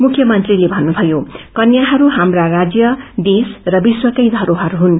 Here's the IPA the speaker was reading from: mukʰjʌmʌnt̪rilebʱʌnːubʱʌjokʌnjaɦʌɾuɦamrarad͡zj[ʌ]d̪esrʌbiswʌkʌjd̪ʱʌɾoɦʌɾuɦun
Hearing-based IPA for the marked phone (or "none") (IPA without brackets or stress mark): ʌ